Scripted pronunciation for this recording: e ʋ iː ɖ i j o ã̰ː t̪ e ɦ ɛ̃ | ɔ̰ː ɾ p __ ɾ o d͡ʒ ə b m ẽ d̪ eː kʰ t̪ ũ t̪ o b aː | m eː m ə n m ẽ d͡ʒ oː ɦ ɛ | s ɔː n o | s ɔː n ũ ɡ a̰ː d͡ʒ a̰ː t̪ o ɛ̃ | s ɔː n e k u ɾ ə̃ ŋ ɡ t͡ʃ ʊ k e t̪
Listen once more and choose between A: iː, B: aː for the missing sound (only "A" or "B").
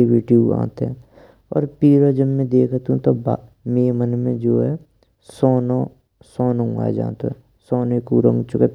A